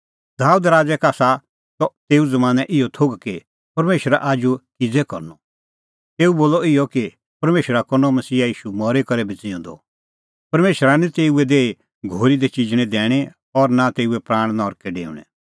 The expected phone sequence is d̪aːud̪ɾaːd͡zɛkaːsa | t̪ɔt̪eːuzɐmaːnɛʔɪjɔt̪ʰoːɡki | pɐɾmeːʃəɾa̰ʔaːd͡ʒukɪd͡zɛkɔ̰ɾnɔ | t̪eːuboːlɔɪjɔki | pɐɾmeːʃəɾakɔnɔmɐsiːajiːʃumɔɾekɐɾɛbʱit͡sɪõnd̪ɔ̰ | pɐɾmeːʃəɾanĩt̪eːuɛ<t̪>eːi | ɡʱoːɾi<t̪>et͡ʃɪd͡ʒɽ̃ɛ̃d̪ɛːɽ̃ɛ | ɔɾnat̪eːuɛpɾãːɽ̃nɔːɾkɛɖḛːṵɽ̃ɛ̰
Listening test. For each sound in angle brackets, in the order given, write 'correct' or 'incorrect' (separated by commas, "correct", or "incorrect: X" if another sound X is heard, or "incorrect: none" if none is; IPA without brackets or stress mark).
incorrect: d̪, incorrect: d̪